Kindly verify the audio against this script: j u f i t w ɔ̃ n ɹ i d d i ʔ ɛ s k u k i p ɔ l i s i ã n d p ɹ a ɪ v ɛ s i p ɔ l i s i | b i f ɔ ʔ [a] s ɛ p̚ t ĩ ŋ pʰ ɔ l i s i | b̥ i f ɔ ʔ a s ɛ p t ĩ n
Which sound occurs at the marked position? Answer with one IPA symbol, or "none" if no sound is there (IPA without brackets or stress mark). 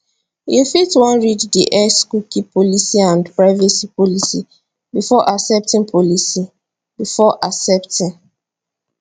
a